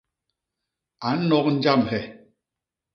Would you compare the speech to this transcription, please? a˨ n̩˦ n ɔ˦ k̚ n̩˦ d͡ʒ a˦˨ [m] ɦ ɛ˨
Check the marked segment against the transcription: correct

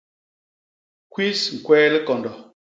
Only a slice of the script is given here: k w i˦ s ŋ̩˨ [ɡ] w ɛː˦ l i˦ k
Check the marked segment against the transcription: incorrect: k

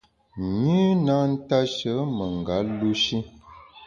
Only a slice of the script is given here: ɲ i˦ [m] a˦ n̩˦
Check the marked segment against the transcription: incorrect: n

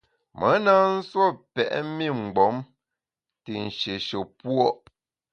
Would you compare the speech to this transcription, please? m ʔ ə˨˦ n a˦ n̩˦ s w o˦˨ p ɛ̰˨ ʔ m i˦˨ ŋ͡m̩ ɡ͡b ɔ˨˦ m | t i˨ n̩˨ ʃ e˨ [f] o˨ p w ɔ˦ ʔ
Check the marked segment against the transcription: incorrect: ʃ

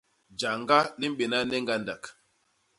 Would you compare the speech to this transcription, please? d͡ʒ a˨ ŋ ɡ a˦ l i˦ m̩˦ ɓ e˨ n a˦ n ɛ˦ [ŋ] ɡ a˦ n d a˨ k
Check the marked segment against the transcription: correct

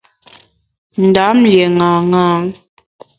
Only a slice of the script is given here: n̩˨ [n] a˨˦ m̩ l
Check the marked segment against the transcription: incorrect: d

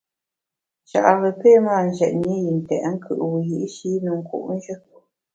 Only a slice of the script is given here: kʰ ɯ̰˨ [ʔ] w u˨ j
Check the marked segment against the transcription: correct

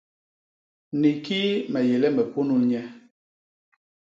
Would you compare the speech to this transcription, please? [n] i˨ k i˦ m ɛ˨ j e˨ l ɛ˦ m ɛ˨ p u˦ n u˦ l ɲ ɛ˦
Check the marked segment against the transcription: correct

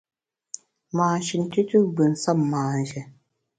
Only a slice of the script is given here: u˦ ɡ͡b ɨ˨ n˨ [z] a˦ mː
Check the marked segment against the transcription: incorrect: s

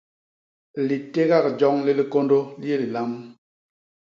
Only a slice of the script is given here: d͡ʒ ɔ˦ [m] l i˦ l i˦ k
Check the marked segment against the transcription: incorrect: ŋ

